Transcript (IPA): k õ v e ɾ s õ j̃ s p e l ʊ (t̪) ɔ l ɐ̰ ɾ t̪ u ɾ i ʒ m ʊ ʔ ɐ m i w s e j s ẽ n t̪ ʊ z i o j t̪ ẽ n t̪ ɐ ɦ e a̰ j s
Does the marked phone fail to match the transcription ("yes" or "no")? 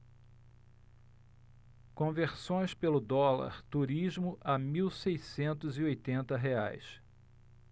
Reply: yes